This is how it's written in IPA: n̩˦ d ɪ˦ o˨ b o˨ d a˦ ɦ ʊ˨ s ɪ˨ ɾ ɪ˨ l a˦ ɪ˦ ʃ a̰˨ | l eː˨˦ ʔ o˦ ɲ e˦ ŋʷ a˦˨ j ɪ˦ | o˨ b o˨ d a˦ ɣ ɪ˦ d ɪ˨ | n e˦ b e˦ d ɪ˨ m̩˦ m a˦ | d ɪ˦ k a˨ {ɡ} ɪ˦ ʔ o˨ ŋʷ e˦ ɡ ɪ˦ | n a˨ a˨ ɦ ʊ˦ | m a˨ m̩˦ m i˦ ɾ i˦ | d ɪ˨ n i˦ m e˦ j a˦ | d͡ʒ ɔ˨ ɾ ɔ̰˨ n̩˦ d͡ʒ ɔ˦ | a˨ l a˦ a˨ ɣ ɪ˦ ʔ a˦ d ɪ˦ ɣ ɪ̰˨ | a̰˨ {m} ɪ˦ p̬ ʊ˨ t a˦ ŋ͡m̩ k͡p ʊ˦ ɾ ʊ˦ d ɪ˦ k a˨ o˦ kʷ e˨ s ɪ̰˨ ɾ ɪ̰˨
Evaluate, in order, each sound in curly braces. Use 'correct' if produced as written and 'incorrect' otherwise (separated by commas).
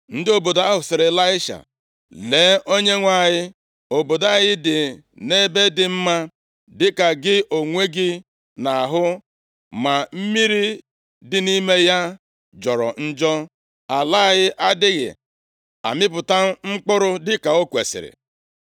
correct, correct